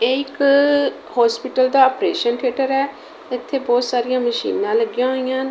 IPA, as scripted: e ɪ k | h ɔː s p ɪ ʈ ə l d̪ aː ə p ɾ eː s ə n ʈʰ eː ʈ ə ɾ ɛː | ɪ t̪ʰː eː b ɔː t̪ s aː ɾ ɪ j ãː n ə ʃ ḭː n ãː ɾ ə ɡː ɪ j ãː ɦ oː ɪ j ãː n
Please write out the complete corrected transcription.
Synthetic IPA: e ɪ k | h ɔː s p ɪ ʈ ə l d̪ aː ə p ɾ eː ʃ ə n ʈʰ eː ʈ ə ɾ ɛː | ɪ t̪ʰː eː b ɔː t̪ s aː ɾ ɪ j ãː m ə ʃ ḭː n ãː l ə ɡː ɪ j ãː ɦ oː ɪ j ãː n